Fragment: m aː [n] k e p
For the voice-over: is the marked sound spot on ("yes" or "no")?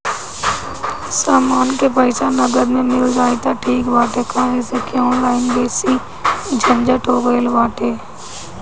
yes